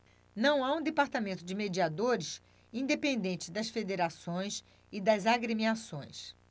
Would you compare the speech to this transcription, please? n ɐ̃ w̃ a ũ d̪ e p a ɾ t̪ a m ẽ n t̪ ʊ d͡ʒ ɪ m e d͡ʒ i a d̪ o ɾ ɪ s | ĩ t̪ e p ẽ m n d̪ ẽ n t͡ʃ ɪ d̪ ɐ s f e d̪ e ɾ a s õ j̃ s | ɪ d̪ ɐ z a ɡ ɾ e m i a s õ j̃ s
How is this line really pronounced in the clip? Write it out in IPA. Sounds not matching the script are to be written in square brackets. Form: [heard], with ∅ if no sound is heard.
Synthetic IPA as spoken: n ɐ̃ w̃ a ũ d̪ e p a ɾ t̪ a m ẽ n t̪ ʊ d͡ʒ ɪ m e d͡ʒ i a d̪ o ɾ ɪ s | ĩ [d̪] e p ẽ [∅] n d̪ ẽ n t͡ʃ ɪ d̪ ɐ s f e d̪ e ɾ a s õ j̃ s | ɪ d̪ ɐ z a ɡ ɾ e m i a s õ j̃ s

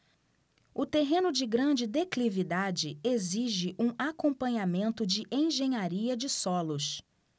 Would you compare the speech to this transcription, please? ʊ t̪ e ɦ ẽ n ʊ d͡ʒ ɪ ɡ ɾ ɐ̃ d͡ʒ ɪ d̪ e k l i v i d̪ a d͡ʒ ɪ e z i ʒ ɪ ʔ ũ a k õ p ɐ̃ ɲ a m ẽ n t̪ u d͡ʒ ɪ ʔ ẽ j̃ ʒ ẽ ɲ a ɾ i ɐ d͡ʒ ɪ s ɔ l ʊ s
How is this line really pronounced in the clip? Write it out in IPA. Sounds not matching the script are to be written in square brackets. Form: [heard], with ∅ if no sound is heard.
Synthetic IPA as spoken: ʊ t̪ e ɦ ẽ n ʊ d͡ʒ ɪ ɡ ɾ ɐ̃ d͡ʒ ɪ d̪ e k l i v i d̪ a d͡ʒ ɪ e z i ʒ ɪ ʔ ũ a k õ p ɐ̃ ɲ a m ẽ n t̪ [ʊ] d͡ʒ ɪ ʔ ẽ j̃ ʒ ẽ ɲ a ɾ i ɐ d͡ʒ ɪ s ɔ l ʊ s

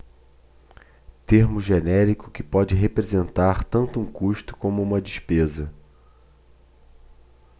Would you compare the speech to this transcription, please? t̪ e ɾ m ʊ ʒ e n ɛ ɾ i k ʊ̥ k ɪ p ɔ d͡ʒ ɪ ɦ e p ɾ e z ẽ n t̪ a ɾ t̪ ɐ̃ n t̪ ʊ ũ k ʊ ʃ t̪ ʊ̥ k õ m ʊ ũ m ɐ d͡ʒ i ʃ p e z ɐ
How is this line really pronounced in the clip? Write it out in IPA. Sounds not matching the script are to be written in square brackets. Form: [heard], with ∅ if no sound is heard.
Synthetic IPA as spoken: t̪ e ɾ m ʊ ʒ e n ɛ ɾ i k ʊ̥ k ɪ p ɔ d͡ʒ ɪ ɦ e p ɾ e z ẽ n t̪ a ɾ t̪ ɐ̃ n t̪ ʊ ũ k [u] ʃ t̪ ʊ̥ k õ m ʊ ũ m ɐ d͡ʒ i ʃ p e z ɐ

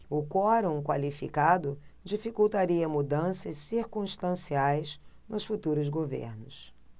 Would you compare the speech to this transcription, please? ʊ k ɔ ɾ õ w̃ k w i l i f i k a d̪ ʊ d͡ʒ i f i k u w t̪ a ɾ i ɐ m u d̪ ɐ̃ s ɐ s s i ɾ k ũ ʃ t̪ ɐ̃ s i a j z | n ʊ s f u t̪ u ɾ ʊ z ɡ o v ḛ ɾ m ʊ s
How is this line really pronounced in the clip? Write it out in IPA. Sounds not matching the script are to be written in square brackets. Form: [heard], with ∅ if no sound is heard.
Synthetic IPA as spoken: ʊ k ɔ ɾ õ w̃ k w [a] l i f i k a d̪ ʊ d͡ʒ i f i k u w t̪ a ɾ i ɐ m u d̪ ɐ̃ s ɐ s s i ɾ k ũ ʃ t̪ ɐ̃ s i a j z | n ʊ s f u t̪ u ɾ ʊ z ɡ o v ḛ ɾ [n] ʊ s

